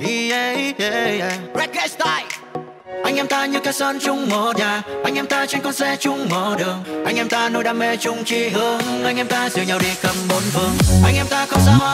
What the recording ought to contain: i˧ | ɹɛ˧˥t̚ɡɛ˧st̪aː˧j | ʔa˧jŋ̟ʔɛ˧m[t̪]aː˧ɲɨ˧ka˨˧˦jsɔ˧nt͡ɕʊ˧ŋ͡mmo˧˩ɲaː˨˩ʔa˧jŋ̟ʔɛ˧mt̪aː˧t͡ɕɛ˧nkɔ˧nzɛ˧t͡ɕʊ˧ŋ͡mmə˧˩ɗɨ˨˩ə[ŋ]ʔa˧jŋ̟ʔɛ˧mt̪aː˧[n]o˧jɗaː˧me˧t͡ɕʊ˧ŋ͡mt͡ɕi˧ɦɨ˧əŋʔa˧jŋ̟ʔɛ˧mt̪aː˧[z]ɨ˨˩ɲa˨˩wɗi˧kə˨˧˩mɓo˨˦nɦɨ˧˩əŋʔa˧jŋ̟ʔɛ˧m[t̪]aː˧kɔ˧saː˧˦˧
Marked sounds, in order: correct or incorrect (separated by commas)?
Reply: correct, correct, correct, correct, correct